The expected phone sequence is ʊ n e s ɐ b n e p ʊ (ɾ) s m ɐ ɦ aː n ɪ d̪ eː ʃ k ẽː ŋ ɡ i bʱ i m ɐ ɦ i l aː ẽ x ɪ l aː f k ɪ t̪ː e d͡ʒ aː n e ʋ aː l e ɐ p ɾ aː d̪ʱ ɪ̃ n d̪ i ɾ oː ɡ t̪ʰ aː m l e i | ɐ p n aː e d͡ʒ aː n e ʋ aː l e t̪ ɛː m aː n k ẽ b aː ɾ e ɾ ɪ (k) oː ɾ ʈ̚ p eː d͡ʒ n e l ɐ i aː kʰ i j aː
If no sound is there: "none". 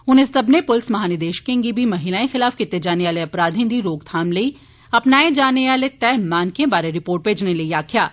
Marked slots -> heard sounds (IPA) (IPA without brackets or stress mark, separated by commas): l, p